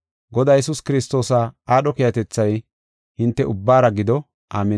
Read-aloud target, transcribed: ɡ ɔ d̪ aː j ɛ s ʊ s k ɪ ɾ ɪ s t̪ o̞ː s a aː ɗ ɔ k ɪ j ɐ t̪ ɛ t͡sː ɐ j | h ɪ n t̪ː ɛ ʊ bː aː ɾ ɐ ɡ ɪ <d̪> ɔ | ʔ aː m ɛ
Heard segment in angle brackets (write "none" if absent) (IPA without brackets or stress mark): d̪